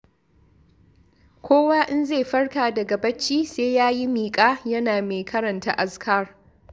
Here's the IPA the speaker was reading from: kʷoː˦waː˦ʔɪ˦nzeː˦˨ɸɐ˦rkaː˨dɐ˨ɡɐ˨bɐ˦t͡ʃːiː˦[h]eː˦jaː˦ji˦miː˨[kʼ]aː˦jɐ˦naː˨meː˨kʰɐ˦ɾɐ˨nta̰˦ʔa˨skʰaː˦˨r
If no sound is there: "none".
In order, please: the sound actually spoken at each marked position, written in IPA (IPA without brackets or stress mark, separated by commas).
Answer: s, kʼ